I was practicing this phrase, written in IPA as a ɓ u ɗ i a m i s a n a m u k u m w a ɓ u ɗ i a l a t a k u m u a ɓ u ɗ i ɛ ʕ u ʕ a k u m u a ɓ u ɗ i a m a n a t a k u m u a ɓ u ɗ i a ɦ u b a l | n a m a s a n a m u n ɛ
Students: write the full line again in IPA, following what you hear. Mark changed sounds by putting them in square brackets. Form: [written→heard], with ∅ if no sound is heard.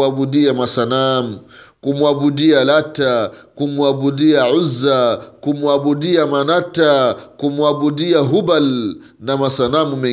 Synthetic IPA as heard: a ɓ u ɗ i a m [i→a] s a n a m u k u m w a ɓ u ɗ i a l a t a k u m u a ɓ u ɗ i [ɛ→a] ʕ u [ʕ→z] a k u m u a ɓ u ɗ i a m a n a t a k u m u a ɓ u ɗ i a ɦ u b a l | n a m a s a n a m u [n→m] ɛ